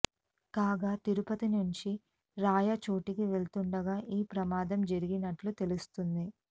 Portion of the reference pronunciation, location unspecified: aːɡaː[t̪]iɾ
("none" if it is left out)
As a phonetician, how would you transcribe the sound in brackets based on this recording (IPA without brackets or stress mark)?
t̪